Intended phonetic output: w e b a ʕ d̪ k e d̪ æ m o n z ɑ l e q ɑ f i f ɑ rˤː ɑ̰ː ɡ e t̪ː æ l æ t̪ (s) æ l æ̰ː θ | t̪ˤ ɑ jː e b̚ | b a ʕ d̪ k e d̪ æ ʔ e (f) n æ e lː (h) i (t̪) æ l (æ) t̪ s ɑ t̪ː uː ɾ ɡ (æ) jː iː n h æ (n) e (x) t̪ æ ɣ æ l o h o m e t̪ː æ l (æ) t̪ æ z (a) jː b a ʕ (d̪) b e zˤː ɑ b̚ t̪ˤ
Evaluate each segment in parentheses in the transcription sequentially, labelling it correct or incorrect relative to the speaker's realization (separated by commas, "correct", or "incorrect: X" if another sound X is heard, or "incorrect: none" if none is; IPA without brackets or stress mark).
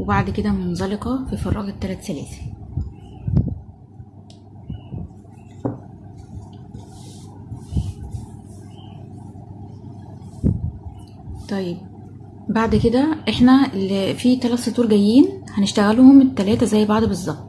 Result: correct, incorrect: ħ, incorrect: f, correct, correct, correct, correct, incorrect: ʃ, incorrect: æː, incorrect: æ, correct